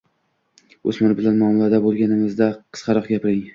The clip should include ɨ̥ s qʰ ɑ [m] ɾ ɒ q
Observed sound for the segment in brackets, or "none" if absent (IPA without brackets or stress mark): none